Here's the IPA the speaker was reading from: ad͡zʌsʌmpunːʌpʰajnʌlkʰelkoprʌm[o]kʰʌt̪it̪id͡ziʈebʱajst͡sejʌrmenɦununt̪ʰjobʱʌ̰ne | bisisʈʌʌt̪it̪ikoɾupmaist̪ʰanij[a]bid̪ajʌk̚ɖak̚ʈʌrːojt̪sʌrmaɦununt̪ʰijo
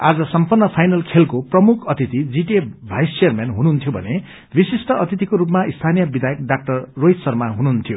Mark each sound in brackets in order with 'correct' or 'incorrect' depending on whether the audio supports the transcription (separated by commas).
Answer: incorrect, incorrect